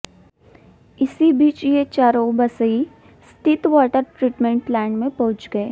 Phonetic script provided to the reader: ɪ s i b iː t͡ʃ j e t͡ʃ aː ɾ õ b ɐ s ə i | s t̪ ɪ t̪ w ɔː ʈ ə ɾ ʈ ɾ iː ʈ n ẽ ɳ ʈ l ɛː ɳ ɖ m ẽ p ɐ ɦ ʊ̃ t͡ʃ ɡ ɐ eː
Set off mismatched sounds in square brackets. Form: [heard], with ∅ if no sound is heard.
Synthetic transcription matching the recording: ɪ s i b iː t͡ʃ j e t͡ʃ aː ɾ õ b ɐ s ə i | s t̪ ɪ t̪ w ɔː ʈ ə ɾ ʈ ɾ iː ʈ [m] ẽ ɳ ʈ l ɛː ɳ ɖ m ẽ p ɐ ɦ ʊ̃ t͡ʃ ɡ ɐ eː